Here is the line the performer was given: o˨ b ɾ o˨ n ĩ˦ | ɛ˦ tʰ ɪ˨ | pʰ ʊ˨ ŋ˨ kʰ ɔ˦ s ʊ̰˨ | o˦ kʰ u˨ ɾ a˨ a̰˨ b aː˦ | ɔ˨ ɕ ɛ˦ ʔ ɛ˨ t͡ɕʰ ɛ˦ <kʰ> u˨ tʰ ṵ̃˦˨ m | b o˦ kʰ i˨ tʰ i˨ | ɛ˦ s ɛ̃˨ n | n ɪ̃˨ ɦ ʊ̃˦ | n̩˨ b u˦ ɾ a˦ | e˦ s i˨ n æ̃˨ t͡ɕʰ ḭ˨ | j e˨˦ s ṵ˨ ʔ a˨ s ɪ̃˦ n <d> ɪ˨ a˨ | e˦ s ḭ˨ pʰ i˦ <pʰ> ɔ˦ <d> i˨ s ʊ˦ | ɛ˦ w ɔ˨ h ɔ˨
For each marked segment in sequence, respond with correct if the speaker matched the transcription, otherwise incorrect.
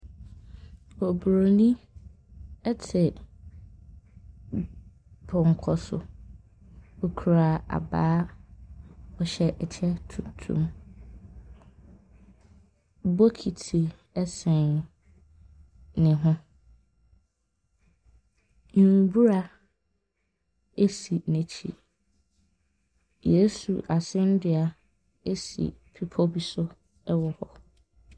incorrect: tʰ, correct, correct, incorrect: b

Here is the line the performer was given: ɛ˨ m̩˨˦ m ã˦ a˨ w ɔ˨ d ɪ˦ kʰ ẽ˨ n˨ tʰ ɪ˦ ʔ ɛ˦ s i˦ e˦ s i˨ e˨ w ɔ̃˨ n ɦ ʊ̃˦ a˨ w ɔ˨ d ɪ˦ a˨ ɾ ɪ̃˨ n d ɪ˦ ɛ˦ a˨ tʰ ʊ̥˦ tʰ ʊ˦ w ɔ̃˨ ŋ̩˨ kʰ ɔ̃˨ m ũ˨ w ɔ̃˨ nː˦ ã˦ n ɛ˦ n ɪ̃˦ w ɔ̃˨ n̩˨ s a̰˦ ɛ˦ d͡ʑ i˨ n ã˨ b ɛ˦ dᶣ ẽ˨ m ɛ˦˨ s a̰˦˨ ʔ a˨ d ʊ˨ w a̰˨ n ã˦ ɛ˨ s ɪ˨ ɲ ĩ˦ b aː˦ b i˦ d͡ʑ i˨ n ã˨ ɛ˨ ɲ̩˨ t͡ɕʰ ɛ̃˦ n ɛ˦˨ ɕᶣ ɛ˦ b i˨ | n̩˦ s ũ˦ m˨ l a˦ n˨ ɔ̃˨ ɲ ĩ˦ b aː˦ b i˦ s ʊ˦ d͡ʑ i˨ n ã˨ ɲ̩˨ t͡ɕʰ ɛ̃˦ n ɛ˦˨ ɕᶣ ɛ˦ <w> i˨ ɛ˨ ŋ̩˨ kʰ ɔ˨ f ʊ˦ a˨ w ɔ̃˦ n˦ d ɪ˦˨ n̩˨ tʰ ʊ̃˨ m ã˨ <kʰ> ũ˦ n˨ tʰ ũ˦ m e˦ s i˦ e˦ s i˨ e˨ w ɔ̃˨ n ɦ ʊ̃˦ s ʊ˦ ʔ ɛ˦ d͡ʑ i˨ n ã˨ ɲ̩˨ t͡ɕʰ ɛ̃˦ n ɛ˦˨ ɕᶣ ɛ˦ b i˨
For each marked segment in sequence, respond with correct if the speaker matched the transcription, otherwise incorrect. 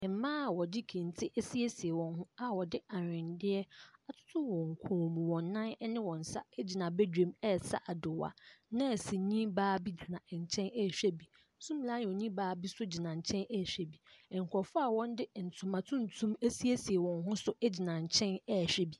incorrect: b, incorrect: tʰ

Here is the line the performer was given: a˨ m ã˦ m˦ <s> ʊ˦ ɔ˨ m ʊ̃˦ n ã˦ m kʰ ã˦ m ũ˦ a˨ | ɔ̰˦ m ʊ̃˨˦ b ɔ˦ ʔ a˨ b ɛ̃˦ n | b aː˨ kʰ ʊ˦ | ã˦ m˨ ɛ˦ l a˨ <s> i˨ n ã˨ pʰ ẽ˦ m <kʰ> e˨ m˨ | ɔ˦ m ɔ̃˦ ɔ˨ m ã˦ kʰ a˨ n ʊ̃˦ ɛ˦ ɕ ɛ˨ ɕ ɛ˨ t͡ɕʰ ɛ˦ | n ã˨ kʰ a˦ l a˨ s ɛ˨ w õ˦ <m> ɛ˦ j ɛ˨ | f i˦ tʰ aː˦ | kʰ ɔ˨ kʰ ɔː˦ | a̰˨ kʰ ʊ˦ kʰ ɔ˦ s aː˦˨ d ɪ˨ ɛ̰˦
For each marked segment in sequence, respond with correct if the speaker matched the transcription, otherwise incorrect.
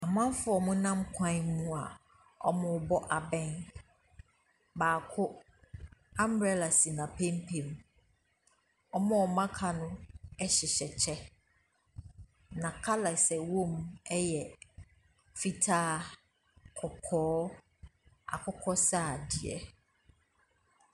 incorrect: f, correct, incorrect: pʰ, correct

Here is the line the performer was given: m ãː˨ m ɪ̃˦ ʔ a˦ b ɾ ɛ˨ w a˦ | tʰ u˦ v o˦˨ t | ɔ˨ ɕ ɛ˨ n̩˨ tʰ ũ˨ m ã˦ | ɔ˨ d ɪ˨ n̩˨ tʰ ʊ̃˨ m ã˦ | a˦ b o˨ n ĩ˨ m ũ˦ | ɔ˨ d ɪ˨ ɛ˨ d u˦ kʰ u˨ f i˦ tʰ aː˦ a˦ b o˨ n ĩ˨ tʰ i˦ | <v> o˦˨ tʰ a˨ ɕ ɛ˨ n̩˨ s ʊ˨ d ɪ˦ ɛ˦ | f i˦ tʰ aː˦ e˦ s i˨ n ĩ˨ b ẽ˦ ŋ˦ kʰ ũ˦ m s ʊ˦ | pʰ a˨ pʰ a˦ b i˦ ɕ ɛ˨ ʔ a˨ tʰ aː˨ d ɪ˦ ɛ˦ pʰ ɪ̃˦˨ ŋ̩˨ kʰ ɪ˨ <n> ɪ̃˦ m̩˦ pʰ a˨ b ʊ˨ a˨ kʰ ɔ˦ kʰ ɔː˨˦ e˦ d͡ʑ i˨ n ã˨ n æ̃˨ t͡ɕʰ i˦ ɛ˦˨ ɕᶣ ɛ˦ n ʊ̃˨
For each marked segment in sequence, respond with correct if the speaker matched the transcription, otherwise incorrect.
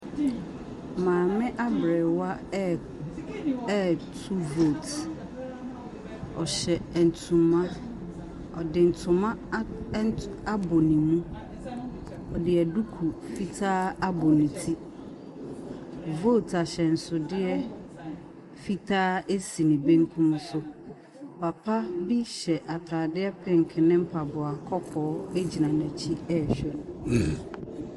correct, correct

